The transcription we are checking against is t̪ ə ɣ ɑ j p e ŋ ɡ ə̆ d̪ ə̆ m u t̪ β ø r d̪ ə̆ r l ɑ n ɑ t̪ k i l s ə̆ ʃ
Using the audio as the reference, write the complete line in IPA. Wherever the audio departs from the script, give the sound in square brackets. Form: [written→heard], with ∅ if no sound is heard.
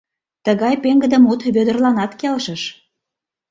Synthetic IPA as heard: t̪ ə ɣ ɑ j p e ŋ ɡ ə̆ d̪ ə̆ m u t̪ β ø [r→∅] d̪ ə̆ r l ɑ n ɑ t̪ k [i→e] l [s→ʃ] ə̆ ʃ

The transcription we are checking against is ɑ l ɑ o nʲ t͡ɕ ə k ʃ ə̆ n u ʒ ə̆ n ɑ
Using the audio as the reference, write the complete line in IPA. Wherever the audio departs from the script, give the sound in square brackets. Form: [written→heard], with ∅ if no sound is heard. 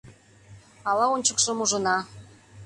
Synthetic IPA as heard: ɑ l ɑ o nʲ t͡ɕ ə k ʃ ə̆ [n→m] u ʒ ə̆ n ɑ

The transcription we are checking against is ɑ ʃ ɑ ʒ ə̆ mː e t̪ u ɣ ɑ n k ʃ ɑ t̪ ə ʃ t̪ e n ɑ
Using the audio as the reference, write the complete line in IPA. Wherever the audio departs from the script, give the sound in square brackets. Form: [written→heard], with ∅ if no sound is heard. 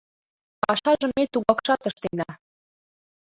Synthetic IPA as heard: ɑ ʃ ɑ ʒ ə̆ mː e t̪ u ɣ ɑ [n→∅] k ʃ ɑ t̪ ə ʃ t̪ e n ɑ

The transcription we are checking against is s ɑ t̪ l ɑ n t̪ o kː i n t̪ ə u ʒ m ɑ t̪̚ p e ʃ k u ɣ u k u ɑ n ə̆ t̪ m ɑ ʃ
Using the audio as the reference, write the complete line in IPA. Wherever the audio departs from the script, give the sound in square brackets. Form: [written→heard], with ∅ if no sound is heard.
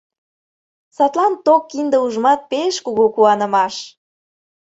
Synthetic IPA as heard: s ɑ t̪ l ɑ n t̪ o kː i n [t̪→d̪] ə u ʒ m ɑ t̪̚ p e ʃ k u ɣ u k u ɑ n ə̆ [t̪→∅] m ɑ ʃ

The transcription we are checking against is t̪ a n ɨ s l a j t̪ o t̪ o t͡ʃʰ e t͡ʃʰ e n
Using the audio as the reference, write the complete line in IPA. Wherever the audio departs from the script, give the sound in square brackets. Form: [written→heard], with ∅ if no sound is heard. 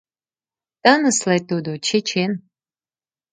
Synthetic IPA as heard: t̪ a n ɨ s l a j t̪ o [t̪→d̪] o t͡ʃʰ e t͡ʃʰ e n

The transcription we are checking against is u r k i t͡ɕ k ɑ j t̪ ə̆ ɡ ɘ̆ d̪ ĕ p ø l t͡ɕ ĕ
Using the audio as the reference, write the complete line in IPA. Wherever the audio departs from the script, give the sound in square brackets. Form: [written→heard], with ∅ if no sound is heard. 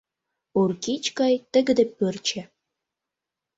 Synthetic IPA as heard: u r k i t͡ɕ k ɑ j t̪ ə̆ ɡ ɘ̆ d̪ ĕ p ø [l→r] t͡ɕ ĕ

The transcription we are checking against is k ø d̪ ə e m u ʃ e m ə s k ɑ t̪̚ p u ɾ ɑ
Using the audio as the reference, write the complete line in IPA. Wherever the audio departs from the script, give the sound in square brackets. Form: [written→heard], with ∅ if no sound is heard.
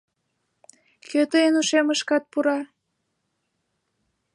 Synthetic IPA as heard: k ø [d̪→t̪] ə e [m→n] u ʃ e m ə [s→ʃ] k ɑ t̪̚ p u ɾ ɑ

